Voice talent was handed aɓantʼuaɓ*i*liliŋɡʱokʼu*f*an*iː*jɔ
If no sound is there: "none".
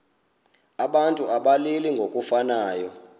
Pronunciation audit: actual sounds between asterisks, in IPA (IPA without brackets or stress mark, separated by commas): a, f, aː